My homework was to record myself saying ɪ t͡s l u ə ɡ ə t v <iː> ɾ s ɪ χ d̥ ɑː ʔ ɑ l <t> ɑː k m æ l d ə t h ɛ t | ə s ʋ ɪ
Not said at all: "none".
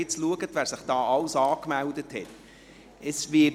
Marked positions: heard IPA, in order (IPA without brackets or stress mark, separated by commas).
æː, s